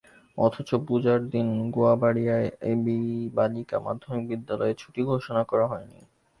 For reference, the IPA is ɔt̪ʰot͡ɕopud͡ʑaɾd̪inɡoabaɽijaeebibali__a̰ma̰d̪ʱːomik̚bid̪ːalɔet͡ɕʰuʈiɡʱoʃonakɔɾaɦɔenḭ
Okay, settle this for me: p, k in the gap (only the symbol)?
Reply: k